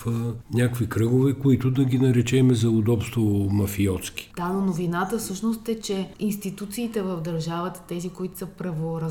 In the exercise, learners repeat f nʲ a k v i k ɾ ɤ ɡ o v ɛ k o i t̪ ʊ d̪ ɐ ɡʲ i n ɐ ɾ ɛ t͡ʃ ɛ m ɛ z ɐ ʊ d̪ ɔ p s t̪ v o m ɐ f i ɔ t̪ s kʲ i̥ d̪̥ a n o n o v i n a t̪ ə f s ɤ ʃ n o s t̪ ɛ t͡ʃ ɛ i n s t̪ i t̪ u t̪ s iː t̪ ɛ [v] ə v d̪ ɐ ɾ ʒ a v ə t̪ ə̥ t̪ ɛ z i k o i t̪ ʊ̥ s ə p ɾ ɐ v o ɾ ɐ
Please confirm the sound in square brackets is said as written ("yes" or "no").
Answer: yes